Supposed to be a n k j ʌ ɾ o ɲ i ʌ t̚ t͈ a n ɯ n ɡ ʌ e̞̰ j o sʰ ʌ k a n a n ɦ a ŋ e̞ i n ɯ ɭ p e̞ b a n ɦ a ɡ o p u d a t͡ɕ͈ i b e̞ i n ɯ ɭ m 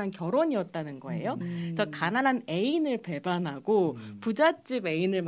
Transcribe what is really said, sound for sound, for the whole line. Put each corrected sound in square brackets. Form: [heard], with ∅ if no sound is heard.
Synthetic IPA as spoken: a n k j ʌ ɾ o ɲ i ʌ t̚ t͈ a n ɯ n ɡ ʌ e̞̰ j o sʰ ʌ k a n a n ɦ a [n] e̞ i n ɯ ɭ p e̞ b a n ɦ a ɡ o p u [d͡ʑ] a t͡ɕ͈ i b e̞ i n ɯ ɭ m